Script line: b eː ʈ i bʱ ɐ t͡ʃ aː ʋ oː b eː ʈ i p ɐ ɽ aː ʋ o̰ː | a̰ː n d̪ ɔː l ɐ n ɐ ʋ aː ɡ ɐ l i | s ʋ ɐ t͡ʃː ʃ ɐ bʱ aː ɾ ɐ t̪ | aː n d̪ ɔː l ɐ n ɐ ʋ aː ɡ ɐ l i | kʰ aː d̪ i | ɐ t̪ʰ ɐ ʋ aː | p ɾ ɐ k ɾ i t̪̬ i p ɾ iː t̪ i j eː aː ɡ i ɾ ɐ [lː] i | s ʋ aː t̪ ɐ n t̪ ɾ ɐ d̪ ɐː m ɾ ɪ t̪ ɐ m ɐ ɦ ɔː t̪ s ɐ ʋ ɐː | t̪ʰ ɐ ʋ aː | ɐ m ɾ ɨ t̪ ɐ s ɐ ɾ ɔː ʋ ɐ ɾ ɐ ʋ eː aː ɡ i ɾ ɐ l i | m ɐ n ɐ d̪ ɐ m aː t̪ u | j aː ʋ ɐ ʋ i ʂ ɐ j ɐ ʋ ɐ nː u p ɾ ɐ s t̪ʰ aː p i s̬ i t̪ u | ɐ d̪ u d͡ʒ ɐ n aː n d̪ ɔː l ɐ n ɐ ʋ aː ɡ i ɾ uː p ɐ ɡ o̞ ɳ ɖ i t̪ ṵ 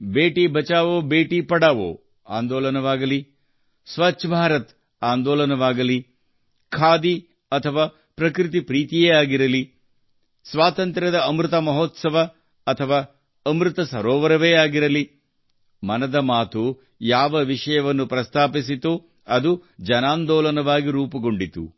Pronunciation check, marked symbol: incorrect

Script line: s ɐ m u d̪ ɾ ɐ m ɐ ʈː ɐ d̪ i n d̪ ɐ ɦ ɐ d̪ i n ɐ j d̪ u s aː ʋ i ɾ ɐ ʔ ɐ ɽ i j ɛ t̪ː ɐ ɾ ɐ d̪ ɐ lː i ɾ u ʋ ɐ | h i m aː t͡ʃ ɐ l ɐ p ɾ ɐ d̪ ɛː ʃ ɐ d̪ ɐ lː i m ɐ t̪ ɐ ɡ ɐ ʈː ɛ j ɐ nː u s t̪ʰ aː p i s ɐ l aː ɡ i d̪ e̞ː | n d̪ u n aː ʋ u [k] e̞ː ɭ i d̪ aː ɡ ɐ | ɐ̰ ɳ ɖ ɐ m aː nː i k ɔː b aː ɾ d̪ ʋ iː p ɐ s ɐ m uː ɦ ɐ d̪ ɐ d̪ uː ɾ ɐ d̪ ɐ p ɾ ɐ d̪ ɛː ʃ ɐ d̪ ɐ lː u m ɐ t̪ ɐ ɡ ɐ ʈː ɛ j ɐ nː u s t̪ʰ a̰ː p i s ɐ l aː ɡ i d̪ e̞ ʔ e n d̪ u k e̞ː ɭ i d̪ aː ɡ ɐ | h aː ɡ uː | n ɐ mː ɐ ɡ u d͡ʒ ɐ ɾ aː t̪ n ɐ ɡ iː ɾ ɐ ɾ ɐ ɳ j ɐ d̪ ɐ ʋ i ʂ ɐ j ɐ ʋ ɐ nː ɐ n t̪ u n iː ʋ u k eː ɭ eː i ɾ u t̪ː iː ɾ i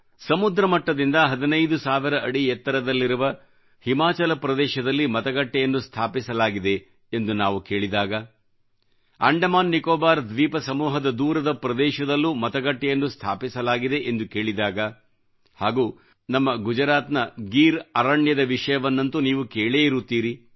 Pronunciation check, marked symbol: correct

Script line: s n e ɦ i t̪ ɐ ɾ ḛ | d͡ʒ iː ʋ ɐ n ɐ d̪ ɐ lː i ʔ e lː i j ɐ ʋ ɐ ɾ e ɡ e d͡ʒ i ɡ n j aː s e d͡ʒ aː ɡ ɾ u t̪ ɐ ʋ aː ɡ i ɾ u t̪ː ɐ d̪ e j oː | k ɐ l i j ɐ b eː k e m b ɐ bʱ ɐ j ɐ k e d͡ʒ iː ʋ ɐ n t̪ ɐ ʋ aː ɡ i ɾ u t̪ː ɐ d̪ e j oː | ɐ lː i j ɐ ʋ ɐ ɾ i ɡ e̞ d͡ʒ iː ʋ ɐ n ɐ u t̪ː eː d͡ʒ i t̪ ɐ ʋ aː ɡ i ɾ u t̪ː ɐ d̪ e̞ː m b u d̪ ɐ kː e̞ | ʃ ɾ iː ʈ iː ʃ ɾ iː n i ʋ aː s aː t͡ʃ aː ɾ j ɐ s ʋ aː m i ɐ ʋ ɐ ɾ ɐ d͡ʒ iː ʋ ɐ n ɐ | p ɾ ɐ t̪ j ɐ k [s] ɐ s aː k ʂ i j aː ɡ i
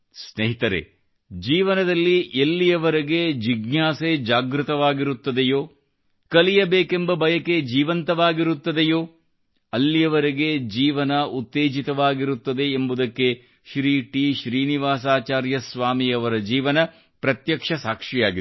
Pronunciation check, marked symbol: incorrect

